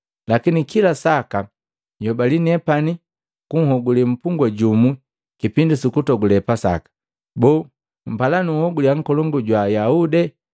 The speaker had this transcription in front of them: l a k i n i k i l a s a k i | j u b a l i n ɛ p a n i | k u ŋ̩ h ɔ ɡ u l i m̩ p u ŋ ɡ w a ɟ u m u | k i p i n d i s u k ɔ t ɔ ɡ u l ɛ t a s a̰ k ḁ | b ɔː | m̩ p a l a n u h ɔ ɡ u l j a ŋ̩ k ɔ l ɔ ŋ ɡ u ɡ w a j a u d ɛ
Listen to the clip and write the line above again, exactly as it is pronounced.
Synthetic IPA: l a k i n i k i l a s a k a | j ɔ b a l i n ɛ p a n i | k u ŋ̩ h ɔ ɡ u l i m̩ p u ŋ ɡ w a ɟ u m u | k i p i n d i s u k u t ɔ ɡ u l ɛ p a s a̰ k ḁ | b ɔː | m̩ p a l a n u h ɔ ɡ u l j a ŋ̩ k ɔ l ɔ ŋ ɡ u ɟ w a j a u d ɛ